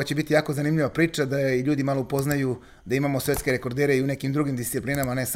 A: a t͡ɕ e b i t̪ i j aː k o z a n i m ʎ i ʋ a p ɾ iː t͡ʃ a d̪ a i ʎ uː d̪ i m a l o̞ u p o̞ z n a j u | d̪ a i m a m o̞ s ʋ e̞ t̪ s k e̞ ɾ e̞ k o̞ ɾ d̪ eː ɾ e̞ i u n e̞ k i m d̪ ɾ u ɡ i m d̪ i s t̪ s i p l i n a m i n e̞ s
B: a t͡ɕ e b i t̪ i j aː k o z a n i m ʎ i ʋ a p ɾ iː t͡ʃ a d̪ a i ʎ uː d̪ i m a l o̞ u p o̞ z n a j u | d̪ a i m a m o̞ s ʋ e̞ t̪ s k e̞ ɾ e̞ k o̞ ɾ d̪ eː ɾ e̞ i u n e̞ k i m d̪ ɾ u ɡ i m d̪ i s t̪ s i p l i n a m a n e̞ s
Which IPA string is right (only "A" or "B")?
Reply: B